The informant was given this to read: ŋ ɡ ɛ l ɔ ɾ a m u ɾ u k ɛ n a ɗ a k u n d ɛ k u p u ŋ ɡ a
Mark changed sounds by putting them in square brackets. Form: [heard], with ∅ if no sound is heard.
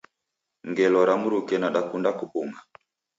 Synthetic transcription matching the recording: ŋ ɡ ɛ l ɔ ɾ a m u ɾ u k ɛ n a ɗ a k u n d [a] k u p u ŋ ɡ a

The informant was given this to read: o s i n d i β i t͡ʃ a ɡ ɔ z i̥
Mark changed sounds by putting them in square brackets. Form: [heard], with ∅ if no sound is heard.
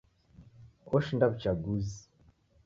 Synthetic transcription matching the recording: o [ʃ] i n d [a] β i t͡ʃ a ɡ [u] z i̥

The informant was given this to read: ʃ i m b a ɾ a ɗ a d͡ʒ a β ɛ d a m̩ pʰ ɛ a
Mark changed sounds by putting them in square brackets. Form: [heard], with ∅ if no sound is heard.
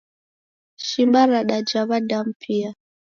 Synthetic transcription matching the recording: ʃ i m b a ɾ a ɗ a d͡ʒ a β [a] d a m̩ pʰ [i] a

